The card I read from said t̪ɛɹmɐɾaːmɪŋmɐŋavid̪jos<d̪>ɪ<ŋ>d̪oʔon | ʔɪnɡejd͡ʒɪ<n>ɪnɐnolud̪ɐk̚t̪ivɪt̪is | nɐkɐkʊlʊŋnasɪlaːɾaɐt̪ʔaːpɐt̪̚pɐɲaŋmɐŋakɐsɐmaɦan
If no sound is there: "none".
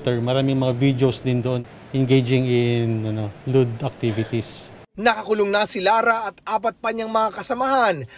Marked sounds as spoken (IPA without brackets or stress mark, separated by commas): d̪, n, ŋ